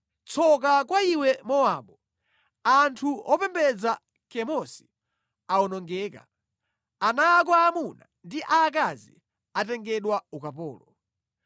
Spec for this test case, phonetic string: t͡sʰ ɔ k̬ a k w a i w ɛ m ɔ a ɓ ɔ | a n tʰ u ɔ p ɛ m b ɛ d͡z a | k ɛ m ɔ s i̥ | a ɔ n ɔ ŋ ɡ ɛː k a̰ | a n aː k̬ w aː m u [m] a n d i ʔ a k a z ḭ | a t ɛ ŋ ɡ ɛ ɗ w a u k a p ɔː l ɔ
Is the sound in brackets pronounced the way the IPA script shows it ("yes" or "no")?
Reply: no